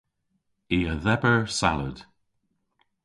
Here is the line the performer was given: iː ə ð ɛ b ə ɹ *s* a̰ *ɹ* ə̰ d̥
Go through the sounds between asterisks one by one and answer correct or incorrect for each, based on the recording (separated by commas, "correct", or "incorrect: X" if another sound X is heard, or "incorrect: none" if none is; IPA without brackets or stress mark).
correct, incorrect: l